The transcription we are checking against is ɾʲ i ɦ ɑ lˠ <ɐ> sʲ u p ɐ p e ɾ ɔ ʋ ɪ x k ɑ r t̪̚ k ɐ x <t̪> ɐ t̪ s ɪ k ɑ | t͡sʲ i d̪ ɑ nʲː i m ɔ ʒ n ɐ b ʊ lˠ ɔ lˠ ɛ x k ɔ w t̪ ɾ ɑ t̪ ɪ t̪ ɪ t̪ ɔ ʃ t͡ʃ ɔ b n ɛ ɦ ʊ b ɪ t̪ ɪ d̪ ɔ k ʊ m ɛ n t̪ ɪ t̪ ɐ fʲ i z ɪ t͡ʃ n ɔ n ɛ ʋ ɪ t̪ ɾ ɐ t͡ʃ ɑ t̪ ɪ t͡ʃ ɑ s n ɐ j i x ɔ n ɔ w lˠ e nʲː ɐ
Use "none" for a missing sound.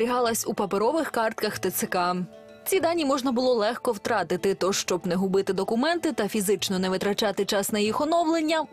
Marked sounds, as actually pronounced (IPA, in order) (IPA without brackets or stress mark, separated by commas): ɐ, t̪